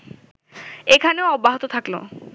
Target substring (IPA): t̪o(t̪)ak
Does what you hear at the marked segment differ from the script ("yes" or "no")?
yes